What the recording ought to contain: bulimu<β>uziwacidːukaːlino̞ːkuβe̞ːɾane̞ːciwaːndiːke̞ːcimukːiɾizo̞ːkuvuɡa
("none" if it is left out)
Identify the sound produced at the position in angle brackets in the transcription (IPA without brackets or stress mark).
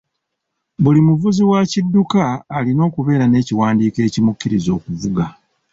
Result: v